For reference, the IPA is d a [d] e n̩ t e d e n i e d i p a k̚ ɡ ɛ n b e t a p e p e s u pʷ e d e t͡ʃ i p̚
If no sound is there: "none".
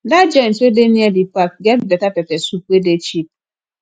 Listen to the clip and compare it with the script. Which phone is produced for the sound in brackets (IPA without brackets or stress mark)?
d͡ʒ